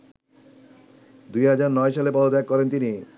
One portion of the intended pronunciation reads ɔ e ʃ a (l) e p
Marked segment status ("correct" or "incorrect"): correct